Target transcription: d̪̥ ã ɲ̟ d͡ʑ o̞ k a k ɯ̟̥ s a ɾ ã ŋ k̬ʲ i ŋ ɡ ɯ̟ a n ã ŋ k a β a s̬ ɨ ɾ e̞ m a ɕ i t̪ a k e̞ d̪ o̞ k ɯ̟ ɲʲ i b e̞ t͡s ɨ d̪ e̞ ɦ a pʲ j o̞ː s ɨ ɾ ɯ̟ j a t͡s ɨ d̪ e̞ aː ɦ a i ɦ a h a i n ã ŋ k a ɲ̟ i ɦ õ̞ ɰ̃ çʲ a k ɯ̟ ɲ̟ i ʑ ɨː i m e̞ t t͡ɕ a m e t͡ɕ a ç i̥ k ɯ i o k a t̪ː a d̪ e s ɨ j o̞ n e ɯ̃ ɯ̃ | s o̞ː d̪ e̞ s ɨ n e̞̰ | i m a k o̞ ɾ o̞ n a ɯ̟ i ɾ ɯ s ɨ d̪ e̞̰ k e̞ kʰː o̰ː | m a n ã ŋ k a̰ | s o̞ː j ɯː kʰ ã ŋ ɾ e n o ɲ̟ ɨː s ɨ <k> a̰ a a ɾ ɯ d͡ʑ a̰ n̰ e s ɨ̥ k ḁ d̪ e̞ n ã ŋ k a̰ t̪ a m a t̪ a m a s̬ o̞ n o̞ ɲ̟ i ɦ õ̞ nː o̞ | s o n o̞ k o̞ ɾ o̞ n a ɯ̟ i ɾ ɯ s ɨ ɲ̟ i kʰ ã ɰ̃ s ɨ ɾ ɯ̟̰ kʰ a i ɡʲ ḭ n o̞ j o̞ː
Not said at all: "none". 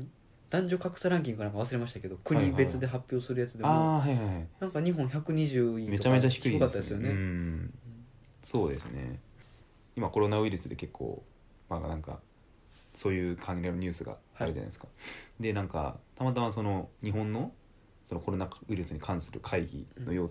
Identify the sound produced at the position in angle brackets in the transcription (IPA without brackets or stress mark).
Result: ɡ